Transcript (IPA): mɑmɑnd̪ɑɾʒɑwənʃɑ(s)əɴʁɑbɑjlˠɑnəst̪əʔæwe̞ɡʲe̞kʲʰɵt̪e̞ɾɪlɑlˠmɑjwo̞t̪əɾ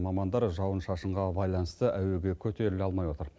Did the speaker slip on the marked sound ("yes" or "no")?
yes